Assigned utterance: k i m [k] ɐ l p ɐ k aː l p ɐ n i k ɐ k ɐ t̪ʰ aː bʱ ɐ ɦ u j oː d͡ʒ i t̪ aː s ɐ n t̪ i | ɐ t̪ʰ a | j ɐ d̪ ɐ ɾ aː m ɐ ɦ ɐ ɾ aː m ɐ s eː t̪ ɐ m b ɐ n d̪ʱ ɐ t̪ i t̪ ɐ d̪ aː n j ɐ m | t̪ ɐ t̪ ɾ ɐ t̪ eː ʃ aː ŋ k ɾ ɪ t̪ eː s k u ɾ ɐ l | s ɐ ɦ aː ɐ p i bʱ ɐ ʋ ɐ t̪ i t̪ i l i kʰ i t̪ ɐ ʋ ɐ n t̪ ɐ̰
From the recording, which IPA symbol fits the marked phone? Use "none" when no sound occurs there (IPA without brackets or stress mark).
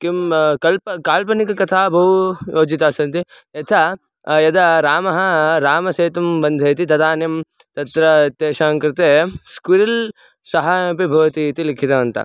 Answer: k